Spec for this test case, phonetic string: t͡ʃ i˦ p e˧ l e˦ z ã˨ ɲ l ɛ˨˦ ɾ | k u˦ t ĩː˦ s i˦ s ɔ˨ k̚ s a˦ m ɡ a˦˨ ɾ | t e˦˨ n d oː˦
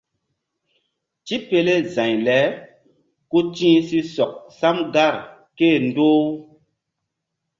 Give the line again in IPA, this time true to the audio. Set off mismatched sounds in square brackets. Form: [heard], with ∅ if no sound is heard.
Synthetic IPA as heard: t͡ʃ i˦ p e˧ l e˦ z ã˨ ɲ l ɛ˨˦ [∅] | k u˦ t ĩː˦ s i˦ s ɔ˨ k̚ s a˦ m ɡ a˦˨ ɾ | [k] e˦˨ n d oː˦